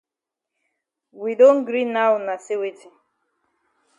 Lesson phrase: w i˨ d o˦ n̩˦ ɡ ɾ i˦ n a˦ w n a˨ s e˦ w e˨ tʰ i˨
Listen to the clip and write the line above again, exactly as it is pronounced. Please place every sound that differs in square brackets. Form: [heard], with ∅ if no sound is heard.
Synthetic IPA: w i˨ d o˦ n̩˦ ɡ ɾ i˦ n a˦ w n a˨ s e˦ w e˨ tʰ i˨